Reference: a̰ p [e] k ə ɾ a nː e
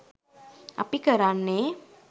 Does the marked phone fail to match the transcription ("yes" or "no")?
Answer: yes